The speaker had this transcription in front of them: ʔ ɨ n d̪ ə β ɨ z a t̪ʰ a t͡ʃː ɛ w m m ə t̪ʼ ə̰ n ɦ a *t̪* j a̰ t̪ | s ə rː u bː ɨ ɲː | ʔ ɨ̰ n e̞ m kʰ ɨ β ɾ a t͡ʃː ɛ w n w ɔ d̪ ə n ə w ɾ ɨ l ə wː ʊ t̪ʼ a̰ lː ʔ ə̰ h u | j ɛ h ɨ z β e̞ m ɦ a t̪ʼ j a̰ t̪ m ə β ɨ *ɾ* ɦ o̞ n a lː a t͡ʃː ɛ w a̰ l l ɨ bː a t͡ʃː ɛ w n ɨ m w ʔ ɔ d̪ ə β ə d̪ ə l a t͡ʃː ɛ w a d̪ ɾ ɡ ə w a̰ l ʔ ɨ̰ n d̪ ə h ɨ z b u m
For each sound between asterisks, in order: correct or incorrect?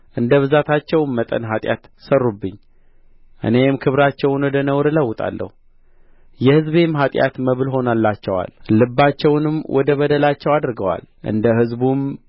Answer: incorrect: t̪ʼ, incorrect: l

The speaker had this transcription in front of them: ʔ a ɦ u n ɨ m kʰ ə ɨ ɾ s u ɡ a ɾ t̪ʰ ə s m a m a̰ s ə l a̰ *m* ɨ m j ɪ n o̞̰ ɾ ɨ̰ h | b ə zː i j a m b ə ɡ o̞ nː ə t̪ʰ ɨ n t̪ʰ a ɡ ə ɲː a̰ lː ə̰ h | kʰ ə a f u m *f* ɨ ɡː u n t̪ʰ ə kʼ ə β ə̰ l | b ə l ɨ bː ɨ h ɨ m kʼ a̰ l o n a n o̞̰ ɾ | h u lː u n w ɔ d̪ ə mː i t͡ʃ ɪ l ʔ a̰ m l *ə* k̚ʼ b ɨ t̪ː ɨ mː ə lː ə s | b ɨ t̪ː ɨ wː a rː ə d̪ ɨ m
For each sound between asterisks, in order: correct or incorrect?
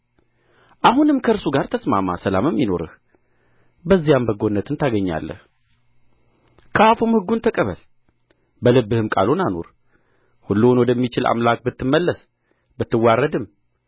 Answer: correct, incorrect: h, incorrect: a

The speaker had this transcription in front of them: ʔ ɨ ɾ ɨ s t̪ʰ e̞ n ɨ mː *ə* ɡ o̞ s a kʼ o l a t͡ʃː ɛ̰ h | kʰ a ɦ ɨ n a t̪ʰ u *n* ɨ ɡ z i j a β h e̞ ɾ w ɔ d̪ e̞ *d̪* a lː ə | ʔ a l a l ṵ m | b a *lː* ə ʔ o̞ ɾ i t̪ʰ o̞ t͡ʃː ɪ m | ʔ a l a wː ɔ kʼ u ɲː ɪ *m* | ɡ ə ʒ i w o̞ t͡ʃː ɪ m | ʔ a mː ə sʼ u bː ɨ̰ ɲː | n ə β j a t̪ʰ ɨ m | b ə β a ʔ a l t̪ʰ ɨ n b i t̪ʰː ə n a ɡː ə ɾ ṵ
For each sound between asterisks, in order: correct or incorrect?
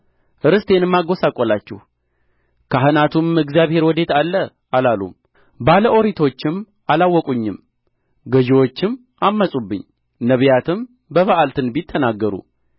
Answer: incorrect: a, incorrect: m, incorrect: t̪, incorrect: l, correct

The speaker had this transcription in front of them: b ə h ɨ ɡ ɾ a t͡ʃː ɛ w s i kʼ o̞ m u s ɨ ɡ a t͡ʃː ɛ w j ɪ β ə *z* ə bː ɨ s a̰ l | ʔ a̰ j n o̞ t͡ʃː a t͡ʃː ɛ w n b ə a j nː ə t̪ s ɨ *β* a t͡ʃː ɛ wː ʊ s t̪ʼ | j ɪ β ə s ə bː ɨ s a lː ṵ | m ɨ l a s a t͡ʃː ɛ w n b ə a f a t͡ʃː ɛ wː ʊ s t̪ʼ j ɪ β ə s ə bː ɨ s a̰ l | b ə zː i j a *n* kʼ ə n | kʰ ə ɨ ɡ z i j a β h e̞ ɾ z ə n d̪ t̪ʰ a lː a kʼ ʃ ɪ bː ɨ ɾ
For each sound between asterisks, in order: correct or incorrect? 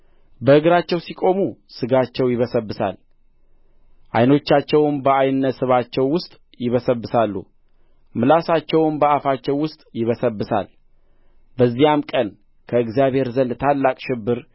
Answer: incorrect: s, correct, incorrect: m

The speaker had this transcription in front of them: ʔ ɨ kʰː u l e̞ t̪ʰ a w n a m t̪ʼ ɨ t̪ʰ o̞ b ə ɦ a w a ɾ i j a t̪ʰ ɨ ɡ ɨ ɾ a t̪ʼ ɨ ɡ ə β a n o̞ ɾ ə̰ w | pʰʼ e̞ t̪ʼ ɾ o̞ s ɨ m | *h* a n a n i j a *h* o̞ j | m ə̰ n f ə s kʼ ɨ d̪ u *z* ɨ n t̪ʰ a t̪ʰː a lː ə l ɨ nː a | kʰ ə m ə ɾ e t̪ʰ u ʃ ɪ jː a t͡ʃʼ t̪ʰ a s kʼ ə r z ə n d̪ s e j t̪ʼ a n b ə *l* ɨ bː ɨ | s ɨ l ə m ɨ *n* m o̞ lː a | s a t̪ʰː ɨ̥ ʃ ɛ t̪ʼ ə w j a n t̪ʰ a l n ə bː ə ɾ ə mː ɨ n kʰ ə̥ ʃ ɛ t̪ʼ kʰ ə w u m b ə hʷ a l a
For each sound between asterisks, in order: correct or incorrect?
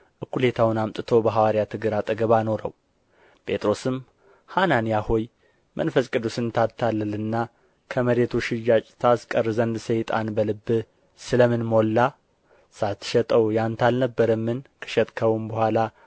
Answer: correct, correct, incorrect: s, correct, correct

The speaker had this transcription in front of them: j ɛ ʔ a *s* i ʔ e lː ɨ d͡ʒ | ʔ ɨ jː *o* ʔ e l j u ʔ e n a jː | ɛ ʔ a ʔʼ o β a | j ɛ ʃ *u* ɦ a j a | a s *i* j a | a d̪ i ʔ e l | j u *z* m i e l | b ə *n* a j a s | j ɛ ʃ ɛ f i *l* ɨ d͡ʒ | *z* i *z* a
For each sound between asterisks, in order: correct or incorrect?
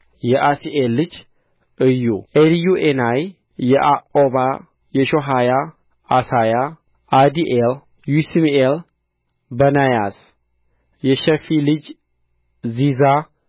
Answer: correct, incorrect: u, incorrect: o, incorrect: a, incorrect: s, correct, correct, correct, correct

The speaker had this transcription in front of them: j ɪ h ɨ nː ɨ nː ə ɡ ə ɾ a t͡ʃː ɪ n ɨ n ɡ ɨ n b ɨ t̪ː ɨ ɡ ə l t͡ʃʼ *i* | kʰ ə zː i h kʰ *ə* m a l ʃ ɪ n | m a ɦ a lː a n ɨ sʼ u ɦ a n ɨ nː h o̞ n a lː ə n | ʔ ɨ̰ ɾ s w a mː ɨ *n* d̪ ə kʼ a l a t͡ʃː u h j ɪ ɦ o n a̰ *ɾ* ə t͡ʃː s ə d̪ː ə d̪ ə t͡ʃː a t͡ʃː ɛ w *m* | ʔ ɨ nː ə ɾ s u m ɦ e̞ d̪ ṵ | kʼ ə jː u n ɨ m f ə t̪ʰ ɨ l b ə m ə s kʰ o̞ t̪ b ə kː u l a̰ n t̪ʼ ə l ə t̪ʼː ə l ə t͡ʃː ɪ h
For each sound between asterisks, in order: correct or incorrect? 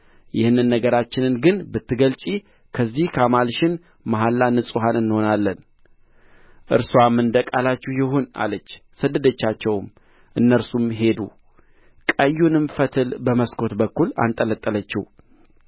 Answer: correct, incorrect: a, correct, incorrect: l, correct

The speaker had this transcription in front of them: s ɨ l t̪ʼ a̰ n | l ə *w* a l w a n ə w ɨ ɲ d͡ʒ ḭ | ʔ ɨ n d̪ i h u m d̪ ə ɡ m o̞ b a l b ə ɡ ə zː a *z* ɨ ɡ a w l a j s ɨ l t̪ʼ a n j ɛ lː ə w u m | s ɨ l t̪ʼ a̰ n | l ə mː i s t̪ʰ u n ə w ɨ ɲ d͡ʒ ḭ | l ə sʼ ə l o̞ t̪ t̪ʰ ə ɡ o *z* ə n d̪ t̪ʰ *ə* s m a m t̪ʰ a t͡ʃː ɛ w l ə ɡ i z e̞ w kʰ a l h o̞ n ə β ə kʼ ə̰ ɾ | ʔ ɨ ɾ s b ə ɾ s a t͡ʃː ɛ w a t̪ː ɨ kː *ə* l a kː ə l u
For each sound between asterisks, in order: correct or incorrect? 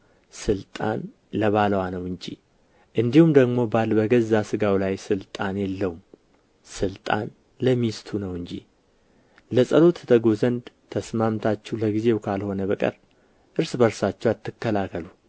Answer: incorrect: β, incorrect: s, correct, correct, correct

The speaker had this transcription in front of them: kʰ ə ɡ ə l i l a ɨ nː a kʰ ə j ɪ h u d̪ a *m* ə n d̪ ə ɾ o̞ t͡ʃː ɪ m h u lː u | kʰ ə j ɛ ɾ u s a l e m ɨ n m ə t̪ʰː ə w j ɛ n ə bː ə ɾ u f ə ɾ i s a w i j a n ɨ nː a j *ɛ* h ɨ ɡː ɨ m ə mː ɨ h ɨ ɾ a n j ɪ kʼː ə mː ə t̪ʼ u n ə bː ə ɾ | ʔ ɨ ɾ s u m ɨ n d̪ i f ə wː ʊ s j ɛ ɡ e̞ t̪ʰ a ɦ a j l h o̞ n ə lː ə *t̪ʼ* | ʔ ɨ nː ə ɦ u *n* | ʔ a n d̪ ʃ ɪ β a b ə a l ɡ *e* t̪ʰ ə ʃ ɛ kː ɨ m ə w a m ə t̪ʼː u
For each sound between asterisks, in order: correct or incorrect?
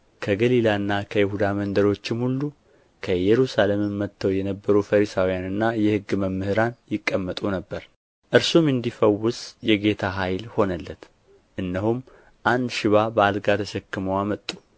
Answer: correct, correct, incorrect: t̪, incorrect: m, incorrect: a

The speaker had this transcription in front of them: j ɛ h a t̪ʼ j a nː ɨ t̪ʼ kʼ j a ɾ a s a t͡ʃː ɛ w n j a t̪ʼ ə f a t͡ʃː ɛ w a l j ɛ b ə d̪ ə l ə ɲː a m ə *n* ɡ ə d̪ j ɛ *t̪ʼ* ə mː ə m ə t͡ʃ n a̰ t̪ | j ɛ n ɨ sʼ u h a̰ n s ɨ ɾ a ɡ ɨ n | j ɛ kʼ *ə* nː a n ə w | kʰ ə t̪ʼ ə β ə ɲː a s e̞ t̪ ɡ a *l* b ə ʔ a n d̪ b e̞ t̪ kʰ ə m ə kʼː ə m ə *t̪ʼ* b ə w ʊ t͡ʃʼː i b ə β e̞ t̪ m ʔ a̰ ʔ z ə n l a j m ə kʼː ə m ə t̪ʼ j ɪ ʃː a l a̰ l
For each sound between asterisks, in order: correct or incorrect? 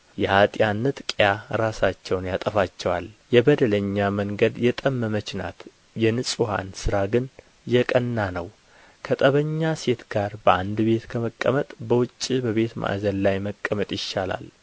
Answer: incorrect: ŋ, correct, correct, incorrect: ɾ, correct

